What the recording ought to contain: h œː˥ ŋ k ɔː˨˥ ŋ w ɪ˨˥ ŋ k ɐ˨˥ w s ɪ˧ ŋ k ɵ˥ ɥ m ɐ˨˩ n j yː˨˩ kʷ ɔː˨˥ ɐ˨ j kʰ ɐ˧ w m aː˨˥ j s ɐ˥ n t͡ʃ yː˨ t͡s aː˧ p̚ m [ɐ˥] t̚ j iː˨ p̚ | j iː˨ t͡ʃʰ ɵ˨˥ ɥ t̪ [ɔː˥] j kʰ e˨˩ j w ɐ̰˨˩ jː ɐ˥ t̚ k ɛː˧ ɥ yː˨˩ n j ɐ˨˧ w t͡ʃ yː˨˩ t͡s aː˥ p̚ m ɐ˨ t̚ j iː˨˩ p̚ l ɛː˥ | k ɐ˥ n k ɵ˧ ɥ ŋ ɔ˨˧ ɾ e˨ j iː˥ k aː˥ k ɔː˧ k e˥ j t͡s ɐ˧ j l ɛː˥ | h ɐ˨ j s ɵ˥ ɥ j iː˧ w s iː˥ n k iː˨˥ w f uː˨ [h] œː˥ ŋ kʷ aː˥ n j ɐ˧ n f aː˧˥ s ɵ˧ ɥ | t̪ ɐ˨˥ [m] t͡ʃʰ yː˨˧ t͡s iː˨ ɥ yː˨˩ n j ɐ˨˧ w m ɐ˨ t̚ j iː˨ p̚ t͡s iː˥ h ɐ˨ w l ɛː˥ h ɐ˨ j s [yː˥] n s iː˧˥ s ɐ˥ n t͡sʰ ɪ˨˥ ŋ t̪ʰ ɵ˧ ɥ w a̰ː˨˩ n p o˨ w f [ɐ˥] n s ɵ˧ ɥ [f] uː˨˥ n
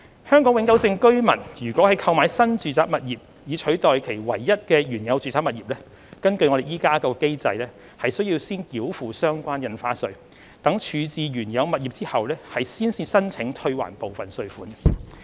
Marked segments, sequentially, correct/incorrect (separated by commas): incorrect, incorrect, incorrect, incorrect, incorrect, incorrect, correct